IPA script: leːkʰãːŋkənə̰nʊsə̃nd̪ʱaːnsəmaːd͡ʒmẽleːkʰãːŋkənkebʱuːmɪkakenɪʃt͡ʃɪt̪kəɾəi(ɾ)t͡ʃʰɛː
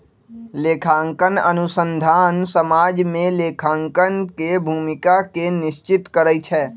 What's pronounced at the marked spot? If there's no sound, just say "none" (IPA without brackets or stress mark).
none